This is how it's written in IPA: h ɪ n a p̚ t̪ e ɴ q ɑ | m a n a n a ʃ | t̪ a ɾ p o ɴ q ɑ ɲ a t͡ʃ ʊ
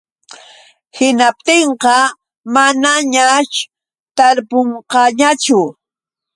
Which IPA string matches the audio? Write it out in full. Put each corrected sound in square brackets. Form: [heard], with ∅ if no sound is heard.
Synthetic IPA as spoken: h ɪ n a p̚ t̪ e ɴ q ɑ | m a n a [ɲ] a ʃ | t̪ a ɾ p o ɴ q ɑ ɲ a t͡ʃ ʊ